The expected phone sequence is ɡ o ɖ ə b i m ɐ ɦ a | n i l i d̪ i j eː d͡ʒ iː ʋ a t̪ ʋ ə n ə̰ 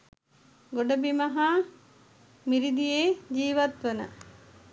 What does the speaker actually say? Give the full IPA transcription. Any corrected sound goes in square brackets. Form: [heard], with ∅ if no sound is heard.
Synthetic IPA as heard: ɡ o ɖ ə b i m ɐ ɦ a | [m] i [ɾ] i d̪ i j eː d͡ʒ iː ʋ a t̪ ʋ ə n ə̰

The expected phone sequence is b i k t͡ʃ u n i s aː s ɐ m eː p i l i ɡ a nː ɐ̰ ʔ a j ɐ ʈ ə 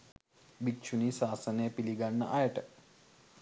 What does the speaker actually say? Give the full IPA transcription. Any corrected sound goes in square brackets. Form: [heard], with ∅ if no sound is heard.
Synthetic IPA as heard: b i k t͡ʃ u n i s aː s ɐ [n] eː p i l i ɡ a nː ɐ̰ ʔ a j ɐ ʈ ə

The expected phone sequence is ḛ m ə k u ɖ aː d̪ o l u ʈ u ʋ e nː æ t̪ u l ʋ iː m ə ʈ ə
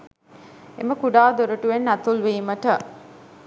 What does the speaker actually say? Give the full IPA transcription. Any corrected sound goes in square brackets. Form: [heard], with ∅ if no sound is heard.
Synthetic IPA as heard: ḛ m ə k u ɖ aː d̪ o [ɾ] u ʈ u ʋ e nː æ t̪ u l ʋ iː m ə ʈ ə

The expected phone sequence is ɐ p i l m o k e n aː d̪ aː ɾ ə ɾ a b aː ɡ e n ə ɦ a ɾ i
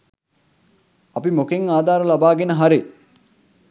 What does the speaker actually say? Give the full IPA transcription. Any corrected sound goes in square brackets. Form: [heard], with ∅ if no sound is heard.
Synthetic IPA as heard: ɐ p i [∅] m o k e [ŋ] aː d̪ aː ɾ ə [l] a b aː ɡ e n ə ɦ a ɾ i

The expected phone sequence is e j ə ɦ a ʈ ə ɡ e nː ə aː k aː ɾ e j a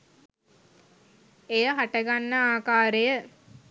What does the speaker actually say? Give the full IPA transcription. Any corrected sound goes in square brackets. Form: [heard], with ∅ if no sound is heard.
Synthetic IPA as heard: e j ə ɦ a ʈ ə ɡ [a] nː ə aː k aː ɾ e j [ə]

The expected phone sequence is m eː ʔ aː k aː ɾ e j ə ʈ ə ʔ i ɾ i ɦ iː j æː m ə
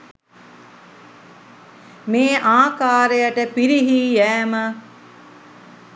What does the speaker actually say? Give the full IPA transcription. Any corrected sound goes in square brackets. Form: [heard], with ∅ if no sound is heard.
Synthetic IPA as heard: m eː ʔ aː k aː ɾ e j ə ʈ ə [p] i ɾ i ɦ iː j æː m ə

